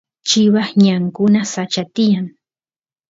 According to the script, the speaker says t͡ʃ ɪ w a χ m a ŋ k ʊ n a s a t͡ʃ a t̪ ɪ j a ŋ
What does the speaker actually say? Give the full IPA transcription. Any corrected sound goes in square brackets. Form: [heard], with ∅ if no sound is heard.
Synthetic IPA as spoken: t͡ʃ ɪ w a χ [ɲ] a ŋ k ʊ n a s a t͡ʃ a t̪ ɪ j a ŋ